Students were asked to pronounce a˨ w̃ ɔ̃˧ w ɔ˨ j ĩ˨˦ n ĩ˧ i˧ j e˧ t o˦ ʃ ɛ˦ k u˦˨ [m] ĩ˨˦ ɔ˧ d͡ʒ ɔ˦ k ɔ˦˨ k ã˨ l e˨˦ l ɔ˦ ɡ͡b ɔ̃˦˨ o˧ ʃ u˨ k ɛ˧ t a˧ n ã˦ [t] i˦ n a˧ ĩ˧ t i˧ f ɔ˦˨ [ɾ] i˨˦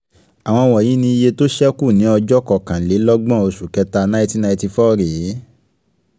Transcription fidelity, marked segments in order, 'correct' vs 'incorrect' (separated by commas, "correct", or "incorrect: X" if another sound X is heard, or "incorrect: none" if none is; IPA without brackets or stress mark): incorrect: n, correct, correct